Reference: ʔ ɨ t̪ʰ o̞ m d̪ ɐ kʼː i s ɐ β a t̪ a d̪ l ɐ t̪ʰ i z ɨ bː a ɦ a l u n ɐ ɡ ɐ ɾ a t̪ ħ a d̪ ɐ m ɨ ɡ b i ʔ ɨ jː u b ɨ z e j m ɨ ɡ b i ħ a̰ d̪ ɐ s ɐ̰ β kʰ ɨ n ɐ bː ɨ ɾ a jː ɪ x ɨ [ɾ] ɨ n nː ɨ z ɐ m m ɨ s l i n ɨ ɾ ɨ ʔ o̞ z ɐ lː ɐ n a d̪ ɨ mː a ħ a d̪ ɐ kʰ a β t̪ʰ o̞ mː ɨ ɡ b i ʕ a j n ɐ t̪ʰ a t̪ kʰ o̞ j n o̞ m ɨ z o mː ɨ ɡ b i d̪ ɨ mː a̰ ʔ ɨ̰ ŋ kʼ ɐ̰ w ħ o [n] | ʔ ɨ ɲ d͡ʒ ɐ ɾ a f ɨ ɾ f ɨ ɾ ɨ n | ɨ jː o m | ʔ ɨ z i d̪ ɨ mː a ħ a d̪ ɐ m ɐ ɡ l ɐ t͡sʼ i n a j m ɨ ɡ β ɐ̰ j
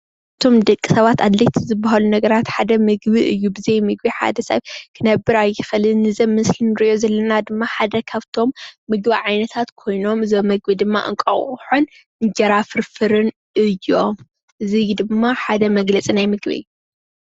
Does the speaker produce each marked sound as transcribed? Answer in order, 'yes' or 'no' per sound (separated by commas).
no, yes